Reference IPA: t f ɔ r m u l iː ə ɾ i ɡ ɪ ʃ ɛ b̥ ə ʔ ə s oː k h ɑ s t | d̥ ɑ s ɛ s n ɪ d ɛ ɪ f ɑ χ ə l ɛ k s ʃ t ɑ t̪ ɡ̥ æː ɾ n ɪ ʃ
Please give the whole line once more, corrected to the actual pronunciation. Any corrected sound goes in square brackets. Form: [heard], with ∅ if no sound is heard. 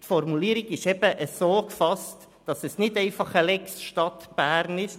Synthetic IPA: t f ɔ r m u l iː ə ɾ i ɡ ɪ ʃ ɛ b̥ ə ʔ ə s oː k [f] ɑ s t | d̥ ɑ s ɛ s n ɪ d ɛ ɪ f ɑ χ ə l ɛ k s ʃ t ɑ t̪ [b̥] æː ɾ n ɪ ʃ